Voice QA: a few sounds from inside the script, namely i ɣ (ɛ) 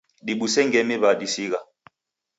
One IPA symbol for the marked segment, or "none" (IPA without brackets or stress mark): a